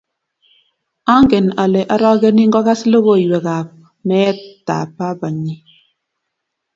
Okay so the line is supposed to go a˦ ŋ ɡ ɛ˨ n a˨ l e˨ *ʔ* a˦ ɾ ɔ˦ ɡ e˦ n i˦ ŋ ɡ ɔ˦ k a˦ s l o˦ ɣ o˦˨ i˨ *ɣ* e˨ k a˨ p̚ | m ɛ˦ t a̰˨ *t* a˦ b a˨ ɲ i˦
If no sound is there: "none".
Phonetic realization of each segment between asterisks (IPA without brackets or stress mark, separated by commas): ʔ, w, p